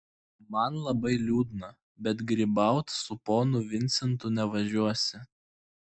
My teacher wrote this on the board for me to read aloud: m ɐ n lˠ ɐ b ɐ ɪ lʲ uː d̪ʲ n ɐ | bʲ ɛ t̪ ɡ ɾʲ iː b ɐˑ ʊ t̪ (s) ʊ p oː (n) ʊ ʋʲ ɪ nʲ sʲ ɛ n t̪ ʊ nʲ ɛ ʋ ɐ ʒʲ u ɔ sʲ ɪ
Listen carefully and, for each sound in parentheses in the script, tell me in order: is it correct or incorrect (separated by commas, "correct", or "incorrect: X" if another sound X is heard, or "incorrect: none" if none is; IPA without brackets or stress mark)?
correct, correct